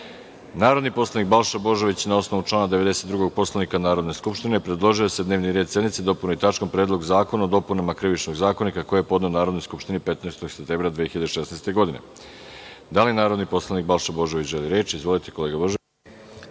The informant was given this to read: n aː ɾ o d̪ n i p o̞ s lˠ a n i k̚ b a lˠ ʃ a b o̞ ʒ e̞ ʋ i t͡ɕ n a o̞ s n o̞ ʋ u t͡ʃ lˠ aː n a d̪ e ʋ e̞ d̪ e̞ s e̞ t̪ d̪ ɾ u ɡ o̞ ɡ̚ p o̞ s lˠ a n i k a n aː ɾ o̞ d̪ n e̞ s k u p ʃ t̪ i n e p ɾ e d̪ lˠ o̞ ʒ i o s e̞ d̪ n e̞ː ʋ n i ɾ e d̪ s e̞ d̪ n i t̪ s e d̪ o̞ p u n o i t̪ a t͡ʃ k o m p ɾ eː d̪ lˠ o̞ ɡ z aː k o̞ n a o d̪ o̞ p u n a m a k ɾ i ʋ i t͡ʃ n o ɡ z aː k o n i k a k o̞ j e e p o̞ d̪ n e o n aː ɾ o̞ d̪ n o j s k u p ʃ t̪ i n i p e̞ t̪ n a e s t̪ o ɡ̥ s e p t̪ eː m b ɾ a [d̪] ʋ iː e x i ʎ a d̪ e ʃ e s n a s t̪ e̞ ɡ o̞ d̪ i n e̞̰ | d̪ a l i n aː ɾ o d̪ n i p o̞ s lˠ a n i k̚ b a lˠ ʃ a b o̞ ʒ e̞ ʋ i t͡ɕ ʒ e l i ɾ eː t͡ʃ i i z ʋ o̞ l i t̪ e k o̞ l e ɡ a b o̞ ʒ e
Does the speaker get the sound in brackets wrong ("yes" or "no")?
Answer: no